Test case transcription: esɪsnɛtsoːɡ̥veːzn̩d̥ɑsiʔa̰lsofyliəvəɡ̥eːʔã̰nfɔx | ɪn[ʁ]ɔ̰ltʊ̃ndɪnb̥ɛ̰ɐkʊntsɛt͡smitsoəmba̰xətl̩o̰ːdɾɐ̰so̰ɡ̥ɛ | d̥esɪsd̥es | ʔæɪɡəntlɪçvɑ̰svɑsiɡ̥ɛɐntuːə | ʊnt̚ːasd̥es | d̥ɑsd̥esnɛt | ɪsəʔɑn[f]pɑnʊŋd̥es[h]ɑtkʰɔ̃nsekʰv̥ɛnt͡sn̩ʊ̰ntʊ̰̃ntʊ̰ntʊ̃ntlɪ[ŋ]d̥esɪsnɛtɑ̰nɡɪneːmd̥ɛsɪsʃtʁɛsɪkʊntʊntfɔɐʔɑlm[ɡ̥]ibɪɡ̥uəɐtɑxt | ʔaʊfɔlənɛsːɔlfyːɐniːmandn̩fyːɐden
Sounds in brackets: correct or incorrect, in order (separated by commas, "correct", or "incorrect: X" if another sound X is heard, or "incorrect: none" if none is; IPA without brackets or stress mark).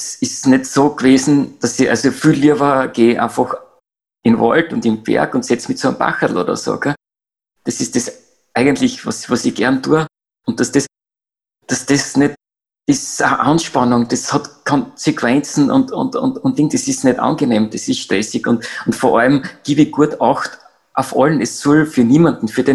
incorrect: v, incorrect: ʃ, correct, correct, correct